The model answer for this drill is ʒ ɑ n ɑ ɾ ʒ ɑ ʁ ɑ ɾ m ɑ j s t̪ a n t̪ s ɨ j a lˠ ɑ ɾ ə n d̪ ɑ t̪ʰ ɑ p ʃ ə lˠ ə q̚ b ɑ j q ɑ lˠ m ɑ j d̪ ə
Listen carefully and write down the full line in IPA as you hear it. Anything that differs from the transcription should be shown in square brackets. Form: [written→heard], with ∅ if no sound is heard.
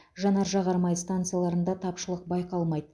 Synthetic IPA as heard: ʒ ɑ n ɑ ɾ ʒ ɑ ʁ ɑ ɾ m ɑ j s t̪ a n t̪ s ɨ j a lˠ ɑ ɾ ə n d̪ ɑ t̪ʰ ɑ p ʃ ə lˠ ə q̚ b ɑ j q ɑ lˠ m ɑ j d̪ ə